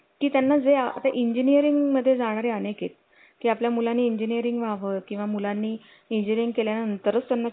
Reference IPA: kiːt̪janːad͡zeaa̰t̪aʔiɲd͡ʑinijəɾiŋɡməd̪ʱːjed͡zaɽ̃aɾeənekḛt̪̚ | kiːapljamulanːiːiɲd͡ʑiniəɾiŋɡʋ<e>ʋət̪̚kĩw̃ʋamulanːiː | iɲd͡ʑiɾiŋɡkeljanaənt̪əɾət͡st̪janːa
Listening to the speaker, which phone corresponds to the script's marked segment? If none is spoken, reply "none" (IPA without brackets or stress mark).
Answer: a